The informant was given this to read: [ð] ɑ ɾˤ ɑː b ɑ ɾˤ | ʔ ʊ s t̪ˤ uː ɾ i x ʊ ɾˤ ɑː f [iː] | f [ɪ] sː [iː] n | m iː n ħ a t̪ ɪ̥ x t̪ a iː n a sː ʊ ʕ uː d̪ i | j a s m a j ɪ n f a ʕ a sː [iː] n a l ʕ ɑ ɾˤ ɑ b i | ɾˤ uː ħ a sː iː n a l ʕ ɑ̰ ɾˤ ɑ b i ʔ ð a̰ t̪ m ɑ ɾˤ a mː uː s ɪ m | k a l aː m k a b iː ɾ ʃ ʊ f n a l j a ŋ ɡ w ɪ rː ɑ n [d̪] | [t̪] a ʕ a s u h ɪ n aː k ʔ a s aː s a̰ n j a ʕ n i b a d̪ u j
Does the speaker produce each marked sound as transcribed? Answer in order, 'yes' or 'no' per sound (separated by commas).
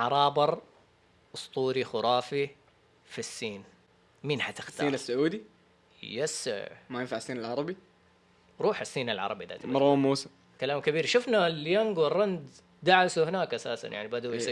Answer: no, no, no, yes, yes, yes, no